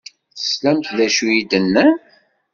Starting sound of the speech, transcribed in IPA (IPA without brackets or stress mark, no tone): θ